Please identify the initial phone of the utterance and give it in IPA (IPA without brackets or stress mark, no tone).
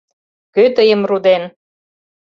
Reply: k